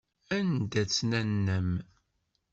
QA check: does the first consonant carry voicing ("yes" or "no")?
yes